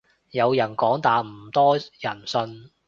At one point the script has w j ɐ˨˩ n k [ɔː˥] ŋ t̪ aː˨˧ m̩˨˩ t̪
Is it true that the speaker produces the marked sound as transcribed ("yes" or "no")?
no